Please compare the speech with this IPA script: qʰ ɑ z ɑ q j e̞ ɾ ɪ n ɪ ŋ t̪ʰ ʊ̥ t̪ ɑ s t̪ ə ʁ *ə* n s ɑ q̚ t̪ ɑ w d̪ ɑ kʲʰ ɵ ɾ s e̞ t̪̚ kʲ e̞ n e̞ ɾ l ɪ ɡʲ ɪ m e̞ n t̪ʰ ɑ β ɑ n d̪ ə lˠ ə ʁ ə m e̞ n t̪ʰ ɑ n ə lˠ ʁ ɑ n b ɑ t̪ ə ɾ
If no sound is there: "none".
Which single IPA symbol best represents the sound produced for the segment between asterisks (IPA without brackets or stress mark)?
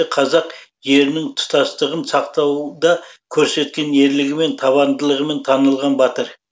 ə